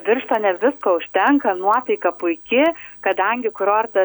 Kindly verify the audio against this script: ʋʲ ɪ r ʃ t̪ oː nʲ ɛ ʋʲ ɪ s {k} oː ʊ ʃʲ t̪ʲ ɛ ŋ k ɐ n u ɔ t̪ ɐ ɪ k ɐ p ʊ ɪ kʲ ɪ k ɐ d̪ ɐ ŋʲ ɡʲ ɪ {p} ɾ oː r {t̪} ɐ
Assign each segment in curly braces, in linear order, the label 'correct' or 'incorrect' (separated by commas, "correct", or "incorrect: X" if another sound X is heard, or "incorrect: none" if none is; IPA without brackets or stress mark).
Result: correct, incorrect: k, correct